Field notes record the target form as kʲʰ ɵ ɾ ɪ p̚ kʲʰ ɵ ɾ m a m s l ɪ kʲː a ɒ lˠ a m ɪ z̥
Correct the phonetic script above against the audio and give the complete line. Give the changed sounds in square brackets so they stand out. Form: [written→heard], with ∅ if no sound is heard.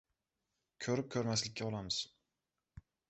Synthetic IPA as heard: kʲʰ ɵ ɾ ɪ p̚ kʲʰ ɵ ɾ m a [m→∅] s l ɪ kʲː a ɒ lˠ a m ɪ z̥